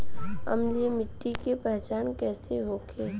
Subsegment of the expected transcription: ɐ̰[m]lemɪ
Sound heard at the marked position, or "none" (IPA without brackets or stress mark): m